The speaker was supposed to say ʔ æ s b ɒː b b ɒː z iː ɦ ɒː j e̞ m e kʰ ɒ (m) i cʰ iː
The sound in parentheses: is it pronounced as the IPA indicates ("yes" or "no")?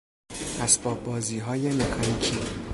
no